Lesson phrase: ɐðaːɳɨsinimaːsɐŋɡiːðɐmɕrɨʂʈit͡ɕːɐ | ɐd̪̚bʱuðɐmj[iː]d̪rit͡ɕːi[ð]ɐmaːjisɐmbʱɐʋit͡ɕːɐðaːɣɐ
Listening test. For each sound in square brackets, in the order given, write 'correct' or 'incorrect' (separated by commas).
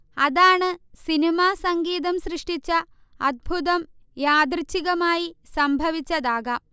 incorrect, incorrect